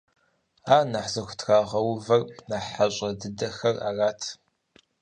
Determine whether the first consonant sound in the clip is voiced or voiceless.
voiced